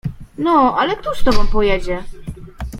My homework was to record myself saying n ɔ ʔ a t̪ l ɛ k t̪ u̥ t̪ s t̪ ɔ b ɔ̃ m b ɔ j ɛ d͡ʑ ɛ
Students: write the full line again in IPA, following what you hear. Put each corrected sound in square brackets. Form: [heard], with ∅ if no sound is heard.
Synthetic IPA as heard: n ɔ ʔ a [∅] l ɛ k t̪ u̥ [∅] s t̪ ɔ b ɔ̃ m [p] ɔ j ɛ d͡ʑ ɛ